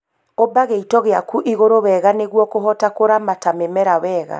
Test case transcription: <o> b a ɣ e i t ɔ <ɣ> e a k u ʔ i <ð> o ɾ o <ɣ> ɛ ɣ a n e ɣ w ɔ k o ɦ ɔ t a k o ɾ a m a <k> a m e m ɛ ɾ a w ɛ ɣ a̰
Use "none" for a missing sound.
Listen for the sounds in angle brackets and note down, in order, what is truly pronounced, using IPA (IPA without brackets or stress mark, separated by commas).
o, ɣ, ɣ, w, t